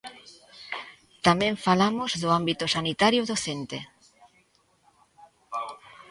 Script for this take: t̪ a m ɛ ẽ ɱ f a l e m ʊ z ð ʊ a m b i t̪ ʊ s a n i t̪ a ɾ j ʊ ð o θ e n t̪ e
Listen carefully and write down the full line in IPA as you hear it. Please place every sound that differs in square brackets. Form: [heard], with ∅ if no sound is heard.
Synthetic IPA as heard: t̪ a m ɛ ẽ ɱ f a l [a] m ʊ z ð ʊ a m b i t̪ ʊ s a n i t̪ a ɾ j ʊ ð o θ e n t̪ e